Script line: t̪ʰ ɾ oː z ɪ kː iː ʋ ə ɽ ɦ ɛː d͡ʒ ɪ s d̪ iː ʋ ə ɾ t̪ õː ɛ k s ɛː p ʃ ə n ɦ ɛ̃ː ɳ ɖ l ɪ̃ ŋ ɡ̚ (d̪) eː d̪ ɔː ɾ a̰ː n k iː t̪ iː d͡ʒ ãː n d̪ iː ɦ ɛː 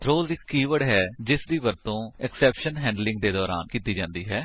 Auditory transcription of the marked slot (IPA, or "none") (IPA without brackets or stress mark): d̪